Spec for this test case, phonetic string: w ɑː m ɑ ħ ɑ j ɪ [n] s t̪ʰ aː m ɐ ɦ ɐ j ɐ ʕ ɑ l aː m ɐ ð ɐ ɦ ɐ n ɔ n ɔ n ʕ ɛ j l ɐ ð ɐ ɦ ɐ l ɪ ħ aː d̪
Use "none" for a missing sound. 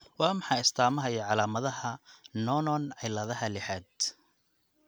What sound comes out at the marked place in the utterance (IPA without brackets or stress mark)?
none